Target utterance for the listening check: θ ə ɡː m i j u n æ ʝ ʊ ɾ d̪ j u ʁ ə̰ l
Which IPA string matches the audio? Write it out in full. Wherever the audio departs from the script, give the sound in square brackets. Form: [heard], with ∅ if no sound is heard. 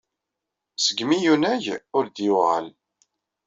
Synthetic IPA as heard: [s] ə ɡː m i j u n æ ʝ ʊ ɾ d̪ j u ʁ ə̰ l